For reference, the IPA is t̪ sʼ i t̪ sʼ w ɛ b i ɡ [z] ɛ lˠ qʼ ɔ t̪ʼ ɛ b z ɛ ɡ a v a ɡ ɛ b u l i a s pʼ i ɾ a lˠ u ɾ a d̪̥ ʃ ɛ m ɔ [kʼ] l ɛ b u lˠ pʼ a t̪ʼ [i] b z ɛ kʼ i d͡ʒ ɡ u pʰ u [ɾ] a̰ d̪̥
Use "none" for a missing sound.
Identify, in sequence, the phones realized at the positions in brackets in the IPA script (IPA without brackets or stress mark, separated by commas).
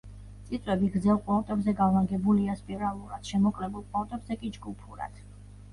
z, kʼ, ɛ, ɾ